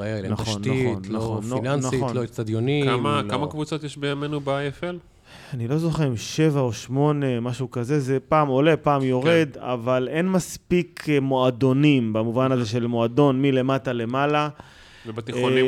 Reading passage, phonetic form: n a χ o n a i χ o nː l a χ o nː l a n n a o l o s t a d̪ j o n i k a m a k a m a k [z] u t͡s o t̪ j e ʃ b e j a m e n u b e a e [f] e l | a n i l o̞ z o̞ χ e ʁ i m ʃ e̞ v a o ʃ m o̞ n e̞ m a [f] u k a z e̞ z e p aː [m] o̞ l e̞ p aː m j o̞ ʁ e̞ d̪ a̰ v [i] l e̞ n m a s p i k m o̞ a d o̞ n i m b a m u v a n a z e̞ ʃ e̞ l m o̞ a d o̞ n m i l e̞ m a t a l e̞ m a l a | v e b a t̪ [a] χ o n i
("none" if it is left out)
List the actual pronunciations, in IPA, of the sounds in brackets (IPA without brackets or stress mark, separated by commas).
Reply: v, f, ʃ, m, a, i